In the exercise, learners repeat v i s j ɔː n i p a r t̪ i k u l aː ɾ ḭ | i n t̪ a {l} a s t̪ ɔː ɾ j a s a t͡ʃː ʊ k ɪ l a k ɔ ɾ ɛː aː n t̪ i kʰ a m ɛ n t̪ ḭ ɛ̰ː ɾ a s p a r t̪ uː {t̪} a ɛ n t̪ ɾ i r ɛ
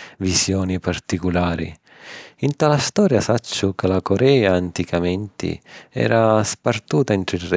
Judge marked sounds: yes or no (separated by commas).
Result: yes, yes